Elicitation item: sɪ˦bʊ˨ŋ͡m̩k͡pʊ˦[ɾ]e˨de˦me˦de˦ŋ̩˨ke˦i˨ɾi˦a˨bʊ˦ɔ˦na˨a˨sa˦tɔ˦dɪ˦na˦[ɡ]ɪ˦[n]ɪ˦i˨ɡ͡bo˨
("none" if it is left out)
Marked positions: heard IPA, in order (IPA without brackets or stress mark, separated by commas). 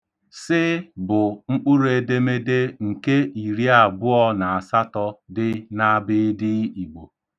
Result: ɾ, b, d